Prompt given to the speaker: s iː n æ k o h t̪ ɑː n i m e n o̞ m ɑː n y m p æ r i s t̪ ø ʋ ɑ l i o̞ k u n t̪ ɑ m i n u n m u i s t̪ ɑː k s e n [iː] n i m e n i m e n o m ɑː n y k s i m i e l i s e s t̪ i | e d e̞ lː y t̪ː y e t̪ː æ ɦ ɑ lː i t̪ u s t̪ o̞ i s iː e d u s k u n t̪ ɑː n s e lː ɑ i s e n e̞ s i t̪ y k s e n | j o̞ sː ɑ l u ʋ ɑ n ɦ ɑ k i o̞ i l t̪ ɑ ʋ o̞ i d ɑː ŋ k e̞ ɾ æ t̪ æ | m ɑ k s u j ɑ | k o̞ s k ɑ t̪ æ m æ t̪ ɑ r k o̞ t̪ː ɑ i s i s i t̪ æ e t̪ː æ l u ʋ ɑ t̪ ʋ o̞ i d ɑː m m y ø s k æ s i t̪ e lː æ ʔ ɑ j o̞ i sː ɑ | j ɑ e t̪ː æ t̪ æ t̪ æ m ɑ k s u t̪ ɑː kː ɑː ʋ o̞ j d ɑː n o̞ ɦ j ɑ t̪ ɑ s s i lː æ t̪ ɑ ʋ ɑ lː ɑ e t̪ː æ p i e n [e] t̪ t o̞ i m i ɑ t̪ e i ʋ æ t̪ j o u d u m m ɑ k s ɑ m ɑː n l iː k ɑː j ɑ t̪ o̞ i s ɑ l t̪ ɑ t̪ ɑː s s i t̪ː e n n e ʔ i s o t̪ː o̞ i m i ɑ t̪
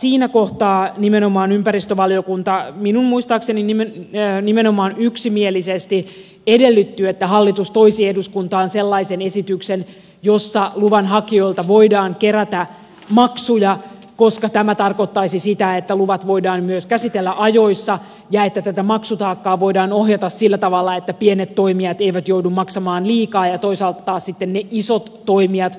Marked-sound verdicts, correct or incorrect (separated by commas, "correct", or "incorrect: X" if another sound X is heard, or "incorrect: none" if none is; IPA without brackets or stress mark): incorrect: i, correct